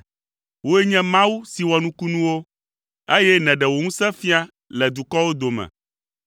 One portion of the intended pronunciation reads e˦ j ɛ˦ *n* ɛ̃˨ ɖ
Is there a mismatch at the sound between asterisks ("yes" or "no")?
no